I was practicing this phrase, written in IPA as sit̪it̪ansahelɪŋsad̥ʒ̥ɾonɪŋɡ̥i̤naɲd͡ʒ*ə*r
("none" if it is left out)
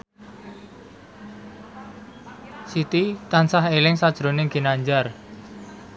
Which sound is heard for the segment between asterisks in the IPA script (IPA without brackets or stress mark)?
a